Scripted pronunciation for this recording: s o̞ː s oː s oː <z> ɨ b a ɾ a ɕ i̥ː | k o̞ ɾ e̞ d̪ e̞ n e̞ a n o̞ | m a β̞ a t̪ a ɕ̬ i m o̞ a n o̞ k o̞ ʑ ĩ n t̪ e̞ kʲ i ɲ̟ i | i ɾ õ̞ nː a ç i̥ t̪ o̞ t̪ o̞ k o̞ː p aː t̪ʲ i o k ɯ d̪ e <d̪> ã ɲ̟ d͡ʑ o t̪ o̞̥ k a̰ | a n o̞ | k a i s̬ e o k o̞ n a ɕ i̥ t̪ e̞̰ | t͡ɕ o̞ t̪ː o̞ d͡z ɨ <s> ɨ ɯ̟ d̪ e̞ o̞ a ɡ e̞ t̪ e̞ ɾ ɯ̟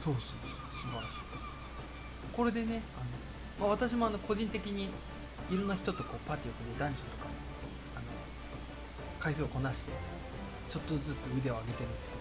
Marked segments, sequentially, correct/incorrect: incorrect: s, correct, incorrect: t͡s

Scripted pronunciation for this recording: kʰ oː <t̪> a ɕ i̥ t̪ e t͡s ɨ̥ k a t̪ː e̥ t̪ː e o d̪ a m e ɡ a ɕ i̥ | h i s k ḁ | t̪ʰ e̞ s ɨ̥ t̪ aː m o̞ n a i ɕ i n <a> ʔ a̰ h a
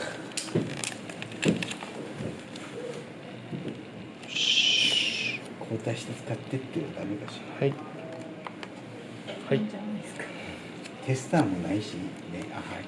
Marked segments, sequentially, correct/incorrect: correct, incorrect: e

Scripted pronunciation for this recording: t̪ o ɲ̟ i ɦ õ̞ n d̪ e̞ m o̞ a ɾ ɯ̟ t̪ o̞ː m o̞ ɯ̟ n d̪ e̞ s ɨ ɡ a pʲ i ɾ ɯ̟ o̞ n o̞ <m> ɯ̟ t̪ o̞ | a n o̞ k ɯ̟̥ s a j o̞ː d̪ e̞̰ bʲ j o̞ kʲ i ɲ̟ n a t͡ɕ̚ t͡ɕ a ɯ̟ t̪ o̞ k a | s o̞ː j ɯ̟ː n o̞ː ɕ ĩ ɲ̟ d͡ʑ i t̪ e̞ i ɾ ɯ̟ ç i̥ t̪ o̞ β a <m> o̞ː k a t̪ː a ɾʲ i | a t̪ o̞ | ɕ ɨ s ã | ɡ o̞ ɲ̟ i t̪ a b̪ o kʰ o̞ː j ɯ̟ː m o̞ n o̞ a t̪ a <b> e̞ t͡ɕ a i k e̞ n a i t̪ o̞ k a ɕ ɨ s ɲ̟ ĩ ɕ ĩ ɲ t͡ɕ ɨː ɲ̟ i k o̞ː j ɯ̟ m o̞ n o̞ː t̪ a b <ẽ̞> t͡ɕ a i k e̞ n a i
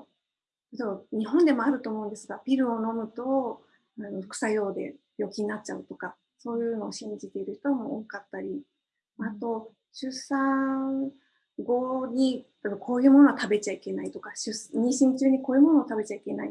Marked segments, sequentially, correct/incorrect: correct, correct, correct, incorrect: e̞

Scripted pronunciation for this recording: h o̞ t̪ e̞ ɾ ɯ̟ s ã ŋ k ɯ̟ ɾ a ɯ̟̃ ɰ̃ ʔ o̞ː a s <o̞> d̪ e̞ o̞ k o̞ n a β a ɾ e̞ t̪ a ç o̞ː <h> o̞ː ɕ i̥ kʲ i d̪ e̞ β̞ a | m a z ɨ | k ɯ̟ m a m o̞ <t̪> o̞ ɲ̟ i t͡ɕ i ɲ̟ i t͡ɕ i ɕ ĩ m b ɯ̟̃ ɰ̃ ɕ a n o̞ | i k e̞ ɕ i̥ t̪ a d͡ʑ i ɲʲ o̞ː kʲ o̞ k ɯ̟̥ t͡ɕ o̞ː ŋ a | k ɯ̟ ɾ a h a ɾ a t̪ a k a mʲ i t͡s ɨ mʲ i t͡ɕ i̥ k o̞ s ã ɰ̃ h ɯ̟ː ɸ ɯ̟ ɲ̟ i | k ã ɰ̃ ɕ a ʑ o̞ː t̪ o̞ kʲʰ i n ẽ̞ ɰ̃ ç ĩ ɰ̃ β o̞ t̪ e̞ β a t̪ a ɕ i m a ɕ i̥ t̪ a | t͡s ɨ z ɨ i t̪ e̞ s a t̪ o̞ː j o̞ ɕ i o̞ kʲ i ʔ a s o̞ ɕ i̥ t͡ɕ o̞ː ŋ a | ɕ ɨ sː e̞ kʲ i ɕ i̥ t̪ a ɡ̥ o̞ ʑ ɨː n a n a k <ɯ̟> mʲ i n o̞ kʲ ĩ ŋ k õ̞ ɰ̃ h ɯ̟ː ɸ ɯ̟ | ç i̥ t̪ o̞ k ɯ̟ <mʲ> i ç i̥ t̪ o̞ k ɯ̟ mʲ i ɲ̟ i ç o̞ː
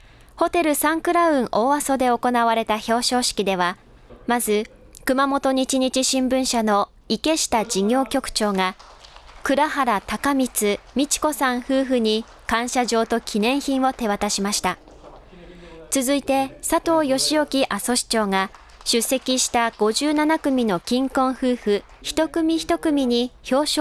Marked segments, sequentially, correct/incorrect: correct, incorrect: ɕ, correct, correct, correct

